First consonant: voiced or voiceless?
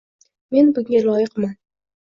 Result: voiced